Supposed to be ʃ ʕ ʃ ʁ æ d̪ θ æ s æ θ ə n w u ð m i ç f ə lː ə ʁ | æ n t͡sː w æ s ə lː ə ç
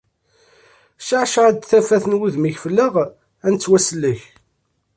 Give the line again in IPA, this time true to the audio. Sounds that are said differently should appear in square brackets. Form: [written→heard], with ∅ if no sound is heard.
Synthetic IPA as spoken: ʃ ʕ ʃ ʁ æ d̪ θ æ [s→f] æ θ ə n w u ð m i ç f ə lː ə ʁ | æ n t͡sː w æ s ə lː ə ç